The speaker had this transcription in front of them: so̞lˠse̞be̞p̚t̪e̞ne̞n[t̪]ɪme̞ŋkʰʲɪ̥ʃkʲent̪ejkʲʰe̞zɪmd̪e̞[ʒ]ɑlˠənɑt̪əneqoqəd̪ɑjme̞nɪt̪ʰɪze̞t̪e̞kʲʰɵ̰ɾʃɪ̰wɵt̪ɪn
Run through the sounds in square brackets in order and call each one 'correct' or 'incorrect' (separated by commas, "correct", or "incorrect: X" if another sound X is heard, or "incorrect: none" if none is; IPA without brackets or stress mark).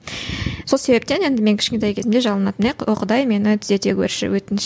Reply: incorrect: d̪, correct